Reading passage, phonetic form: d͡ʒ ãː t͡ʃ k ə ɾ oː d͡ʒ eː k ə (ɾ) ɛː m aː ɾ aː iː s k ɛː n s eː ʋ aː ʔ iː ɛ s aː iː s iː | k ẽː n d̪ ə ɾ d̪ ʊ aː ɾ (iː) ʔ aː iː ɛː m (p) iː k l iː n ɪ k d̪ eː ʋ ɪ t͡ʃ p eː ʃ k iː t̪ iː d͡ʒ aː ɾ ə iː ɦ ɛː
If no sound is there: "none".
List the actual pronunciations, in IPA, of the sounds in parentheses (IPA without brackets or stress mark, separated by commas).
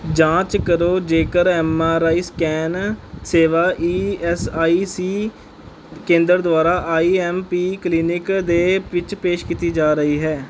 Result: ɾ, aː, p